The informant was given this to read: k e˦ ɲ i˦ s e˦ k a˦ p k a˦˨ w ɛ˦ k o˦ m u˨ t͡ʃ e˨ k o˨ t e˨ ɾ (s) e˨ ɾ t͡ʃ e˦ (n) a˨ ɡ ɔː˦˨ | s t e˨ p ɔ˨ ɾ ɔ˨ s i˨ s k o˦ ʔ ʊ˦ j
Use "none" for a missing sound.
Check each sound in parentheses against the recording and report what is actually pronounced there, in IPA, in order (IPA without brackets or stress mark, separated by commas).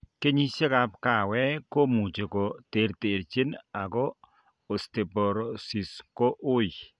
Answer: t, n